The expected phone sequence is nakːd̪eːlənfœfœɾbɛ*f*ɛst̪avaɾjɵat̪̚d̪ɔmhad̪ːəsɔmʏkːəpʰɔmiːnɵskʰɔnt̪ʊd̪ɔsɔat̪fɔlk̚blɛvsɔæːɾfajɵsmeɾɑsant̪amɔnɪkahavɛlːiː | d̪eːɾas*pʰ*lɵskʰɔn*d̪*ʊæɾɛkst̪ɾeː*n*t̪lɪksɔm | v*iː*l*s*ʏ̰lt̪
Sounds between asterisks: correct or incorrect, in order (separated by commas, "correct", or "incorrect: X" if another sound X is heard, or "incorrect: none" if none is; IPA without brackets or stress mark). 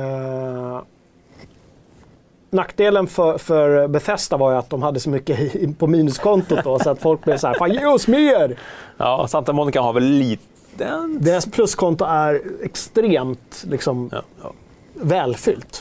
correct, correct, incorrect: t̪, incorrect: m, incorrect: ɛː, incorrect: f